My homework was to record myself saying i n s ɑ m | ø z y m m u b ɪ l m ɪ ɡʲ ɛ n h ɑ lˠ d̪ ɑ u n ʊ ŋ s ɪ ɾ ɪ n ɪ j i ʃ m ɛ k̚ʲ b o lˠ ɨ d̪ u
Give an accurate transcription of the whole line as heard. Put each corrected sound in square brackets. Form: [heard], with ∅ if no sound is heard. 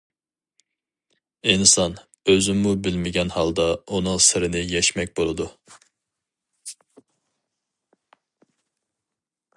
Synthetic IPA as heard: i n s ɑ [n] | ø z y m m u b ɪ l m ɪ ɡʲ ɛ n h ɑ lˠ d̪ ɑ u n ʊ ŋ s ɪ ɾ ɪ n ɪ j [ɛ] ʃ m ɛ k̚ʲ b o lˠ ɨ d̪ u